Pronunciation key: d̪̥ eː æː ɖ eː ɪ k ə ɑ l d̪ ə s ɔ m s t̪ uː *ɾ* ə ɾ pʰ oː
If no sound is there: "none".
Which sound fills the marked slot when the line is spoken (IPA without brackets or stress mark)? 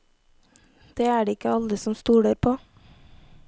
ɽ